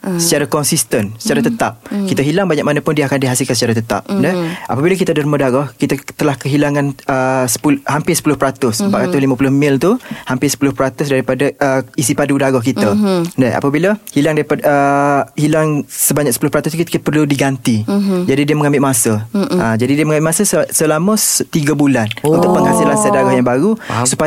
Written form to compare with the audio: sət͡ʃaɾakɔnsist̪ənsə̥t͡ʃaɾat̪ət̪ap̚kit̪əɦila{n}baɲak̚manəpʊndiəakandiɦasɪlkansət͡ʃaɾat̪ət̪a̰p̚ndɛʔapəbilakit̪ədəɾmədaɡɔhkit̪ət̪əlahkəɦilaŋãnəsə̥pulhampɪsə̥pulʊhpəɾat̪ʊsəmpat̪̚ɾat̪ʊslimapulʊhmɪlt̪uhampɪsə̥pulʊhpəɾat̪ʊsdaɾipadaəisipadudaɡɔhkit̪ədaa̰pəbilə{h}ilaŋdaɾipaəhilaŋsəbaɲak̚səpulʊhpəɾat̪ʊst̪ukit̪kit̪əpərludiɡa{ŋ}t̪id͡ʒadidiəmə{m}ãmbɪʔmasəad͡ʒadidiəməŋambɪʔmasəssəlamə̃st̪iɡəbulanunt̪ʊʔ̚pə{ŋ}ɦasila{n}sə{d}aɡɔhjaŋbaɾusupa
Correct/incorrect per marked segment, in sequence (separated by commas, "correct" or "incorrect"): incorrect, correct, incorrect, incorrect, correct, correct, correct